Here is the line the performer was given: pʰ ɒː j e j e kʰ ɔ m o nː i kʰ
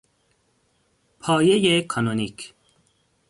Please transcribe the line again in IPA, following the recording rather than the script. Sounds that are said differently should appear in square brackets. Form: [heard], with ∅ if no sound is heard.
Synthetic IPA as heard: pʰ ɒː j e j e kʰ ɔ [n] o [n] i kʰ